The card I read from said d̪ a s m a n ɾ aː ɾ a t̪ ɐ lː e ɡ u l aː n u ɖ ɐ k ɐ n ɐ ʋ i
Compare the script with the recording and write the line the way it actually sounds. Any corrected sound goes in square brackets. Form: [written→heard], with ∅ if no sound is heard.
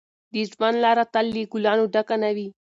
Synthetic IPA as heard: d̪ [a→i] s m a n [ɾ→l] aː ɾ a t̪ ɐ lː [e→i] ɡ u l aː n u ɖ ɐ k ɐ n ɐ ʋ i